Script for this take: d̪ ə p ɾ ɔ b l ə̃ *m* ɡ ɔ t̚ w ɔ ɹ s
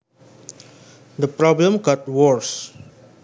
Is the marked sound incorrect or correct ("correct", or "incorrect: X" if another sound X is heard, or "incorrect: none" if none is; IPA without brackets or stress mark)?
correct